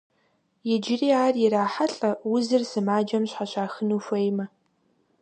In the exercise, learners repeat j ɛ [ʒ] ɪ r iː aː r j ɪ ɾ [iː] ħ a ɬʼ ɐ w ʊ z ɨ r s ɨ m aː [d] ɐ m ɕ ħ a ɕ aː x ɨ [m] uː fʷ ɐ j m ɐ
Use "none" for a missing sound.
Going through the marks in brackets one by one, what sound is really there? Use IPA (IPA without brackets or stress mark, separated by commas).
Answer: d͡ʒ, aː, d͡ʒ, n